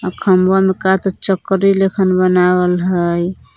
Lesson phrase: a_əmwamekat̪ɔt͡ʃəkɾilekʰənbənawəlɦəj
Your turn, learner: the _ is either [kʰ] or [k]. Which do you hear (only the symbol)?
kʰ